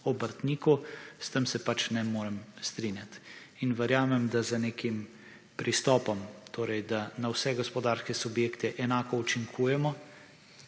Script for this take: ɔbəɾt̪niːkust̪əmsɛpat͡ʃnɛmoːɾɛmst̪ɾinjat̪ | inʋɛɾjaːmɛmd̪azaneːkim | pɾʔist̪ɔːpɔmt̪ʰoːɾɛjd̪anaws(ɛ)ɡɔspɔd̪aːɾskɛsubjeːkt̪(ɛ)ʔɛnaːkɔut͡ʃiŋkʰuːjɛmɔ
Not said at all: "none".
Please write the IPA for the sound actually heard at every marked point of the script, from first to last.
ɛ, ɛ

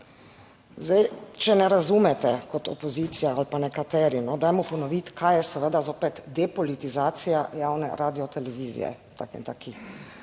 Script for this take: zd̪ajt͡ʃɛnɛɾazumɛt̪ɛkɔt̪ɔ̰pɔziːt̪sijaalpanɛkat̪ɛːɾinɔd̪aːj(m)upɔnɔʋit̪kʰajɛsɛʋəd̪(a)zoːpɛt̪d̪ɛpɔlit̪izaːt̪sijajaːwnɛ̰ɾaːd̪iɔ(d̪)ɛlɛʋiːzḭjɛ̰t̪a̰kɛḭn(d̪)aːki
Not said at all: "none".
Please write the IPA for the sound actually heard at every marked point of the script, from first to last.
m, a, t̪, t̪

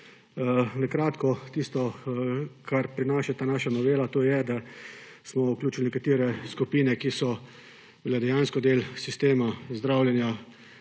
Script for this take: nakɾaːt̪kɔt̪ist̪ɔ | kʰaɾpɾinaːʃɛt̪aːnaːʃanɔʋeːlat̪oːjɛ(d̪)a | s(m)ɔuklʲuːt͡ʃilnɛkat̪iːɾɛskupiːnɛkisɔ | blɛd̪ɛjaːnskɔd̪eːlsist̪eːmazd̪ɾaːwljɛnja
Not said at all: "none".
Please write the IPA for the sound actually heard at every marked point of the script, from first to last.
d̪, m

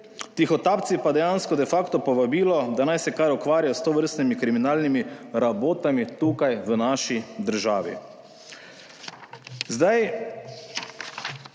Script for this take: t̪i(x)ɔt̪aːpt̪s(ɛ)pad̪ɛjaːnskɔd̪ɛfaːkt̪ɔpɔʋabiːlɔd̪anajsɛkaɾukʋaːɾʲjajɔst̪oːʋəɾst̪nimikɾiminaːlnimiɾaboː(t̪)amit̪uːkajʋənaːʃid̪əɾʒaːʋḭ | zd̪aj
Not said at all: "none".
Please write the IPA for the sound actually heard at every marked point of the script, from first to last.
x, i, t̪

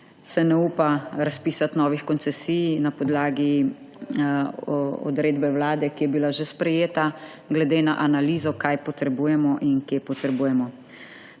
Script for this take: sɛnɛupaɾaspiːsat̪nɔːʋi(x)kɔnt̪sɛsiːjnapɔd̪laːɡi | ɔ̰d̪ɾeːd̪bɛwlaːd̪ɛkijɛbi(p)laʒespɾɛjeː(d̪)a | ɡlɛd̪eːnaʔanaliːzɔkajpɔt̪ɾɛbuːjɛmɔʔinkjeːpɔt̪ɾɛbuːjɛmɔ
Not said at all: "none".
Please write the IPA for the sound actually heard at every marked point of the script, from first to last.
x, none, t̪

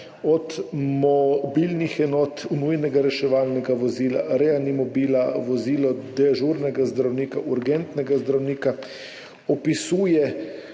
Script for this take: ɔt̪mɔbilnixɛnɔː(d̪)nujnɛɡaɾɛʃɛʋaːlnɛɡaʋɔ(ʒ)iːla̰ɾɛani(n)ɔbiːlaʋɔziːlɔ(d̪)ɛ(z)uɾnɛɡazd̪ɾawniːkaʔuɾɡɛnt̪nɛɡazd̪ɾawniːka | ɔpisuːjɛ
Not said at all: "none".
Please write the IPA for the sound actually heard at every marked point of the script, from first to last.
t̪, z, m, d̪, ʒ

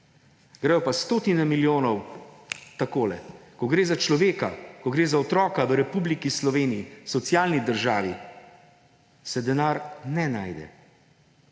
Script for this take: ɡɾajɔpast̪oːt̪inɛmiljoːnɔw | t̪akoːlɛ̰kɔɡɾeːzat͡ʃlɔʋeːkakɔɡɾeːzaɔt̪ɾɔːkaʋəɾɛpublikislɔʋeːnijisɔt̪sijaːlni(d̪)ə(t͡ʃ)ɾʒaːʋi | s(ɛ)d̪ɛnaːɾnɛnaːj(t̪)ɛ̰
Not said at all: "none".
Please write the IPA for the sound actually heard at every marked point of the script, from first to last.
d̪, none, ɛ, d̪

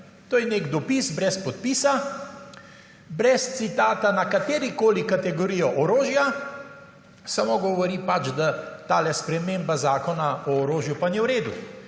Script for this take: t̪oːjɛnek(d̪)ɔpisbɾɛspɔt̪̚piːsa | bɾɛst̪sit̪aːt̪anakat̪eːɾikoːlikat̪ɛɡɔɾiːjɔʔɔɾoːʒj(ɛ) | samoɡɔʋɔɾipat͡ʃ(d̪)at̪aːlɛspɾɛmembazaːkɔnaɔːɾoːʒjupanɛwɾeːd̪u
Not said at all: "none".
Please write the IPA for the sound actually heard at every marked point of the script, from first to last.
d̪, a, d̪

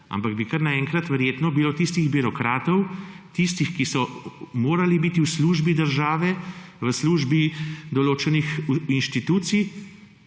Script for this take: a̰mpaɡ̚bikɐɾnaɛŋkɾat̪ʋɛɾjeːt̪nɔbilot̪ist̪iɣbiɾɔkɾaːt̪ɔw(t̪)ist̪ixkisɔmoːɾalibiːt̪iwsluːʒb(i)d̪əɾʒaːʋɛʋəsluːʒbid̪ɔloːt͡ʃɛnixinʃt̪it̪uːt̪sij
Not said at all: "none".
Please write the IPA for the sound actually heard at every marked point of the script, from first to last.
t̪, i

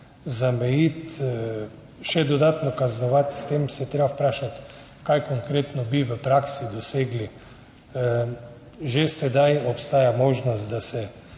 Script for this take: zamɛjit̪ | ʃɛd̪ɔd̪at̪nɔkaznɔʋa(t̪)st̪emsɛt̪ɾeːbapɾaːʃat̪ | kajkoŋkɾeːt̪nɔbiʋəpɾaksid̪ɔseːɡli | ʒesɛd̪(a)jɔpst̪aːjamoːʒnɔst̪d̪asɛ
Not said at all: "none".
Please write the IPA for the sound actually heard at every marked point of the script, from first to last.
t̪, a

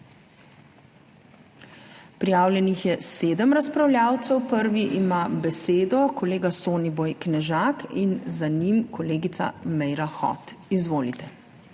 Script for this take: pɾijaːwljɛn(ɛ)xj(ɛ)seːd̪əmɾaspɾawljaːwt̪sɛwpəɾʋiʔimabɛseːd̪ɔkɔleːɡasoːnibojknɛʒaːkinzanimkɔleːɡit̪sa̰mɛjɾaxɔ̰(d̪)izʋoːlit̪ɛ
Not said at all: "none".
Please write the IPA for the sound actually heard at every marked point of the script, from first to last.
i, ɛ, t̪

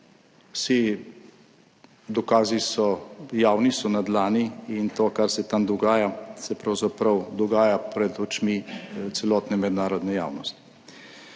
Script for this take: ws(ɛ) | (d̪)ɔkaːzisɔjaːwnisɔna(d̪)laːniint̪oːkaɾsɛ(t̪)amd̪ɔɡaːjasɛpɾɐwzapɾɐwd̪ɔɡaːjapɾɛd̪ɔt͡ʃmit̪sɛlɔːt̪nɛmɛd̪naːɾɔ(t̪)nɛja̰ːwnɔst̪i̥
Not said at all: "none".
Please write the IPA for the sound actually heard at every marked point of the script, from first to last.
i, d̪, d̪, t̪, d̪

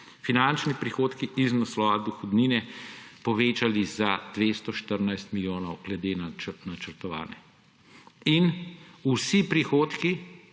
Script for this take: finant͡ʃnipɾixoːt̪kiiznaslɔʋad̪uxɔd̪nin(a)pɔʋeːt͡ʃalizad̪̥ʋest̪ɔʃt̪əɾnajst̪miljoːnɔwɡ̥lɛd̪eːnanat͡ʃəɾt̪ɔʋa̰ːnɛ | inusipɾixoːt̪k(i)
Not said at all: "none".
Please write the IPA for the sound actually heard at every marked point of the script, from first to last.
ɛ, i

